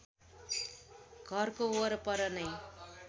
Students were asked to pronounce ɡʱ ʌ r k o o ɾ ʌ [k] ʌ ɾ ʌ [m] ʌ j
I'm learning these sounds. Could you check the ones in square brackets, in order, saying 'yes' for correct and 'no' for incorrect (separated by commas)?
no, no